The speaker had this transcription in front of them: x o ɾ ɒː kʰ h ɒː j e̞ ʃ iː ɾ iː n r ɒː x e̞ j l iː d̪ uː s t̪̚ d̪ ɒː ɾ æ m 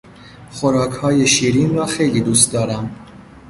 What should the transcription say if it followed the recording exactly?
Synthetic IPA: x o ɾ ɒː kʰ h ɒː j e̞ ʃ iː ɾ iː n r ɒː x e̞ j l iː d̪ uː s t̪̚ d̪ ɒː ɾ æ m